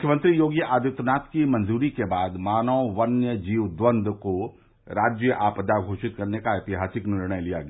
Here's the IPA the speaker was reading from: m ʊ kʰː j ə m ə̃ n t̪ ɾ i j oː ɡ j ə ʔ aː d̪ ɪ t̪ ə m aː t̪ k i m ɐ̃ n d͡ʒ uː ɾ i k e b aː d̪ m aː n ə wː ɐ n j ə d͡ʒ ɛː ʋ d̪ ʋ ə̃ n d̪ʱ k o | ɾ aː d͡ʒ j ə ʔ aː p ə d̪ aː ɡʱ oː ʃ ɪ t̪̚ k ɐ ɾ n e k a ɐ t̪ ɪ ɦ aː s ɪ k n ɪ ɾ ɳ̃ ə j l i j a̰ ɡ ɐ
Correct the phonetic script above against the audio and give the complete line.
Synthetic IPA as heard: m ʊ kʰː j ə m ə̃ n t̪ ɾ i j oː ɡ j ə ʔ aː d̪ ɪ t̪ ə n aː t̪ k i m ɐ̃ n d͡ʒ uː ɾ i k e b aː d̪ m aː n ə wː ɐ n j ə d͡ʒ iː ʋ d̪ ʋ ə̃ n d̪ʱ k o | ɾ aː d͡ʒ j ə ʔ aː p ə d̪ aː ɡʱ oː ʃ ɪ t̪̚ k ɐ ɾ n e k a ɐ t̪ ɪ ɦ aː s ɪ k n ɪ ɾ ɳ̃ ə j l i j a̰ ɡ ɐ